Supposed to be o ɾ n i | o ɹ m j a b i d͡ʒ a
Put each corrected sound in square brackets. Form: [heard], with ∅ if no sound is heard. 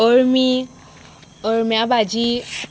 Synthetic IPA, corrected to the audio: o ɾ [m] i | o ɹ m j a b [a] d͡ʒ [i]